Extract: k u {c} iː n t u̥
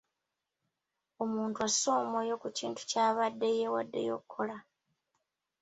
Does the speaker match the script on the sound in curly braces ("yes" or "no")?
yes